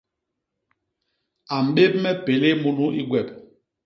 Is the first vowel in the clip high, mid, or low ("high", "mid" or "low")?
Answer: low